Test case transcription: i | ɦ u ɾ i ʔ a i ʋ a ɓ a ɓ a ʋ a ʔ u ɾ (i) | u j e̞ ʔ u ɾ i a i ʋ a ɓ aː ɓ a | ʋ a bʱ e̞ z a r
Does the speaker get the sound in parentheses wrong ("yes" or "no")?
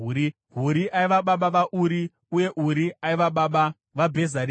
no